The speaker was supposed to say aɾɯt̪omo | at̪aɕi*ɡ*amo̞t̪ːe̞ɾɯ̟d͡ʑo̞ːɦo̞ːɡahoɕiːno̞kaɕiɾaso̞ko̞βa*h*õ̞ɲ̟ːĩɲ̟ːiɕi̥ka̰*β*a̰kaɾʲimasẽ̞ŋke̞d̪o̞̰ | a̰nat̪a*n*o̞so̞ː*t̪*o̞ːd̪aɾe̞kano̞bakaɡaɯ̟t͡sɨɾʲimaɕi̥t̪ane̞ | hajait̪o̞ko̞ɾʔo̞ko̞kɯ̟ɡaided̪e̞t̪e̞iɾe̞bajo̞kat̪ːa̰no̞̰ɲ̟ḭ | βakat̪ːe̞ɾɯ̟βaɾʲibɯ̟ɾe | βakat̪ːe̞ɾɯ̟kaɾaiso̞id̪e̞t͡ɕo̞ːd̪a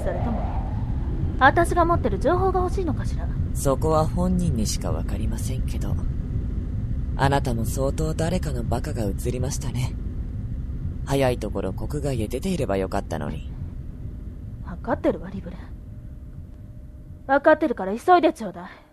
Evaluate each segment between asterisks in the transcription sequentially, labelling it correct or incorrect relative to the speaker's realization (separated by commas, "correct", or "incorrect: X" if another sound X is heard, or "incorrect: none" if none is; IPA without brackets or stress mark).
correct, correct, correct, incorrect: m, correct